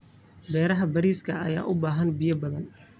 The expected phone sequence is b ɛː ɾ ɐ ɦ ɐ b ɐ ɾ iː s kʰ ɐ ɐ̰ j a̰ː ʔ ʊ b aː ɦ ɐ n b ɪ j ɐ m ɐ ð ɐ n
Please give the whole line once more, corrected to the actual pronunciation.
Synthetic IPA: b ɛː ɾ ɐ ɦ ɐ b ɐ ɾ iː s kʰ ɐ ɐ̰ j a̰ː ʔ ʊ b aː ɦ ɐ n b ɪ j ɐ b ɐ ð ɐ n